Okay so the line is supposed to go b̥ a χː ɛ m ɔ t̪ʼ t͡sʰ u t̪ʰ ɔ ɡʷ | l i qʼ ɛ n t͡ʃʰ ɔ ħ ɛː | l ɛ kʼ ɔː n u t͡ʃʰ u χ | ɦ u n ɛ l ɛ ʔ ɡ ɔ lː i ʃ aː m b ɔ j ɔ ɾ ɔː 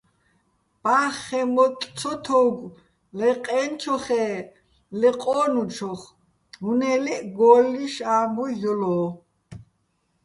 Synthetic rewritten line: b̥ a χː ɛ m ɔ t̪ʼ t͡sʰ ɔ t̪ʰ ɔ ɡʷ | l ɛ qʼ ɛ n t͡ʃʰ ɔ χ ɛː | l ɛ qʼ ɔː n u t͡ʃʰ ɔ χ | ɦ u n ɛ l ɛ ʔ ɡ ɔ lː i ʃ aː m b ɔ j ɔ l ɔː